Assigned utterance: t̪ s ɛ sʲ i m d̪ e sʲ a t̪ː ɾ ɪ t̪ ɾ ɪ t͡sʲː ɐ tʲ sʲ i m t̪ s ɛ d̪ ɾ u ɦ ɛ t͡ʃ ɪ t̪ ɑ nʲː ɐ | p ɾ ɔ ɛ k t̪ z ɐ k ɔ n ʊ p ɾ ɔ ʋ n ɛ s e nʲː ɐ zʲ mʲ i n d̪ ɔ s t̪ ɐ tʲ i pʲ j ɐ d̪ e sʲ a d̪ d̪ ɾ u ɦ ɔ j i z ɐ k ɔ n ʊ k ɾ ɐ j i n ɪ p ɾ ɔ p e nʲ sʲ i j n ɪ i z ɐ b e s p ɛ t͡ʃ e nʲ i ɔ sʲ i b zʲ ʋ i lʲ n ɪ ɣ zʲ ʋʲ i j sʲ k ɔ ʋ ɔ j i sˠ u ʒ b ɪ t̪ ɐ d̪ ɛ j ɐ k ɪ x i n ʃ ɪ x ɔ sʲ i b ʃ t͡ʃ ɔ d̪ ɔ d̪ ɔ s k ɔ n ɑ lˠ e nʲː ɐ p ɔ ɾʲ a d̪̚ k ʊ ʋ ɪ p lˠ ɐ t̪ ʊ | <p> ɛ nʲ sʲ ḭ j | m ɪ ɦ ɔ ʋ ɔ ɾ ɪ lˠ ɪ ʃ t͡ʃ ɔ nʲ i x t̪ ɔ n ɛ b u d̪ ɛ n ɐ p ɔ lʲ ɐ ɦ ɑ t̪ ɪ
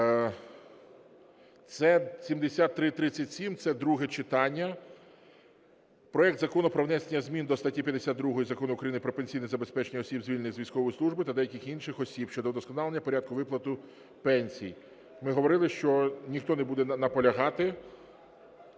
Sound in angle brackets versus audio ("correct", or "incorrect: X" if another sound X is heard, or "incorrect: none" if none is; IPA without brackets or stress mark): correct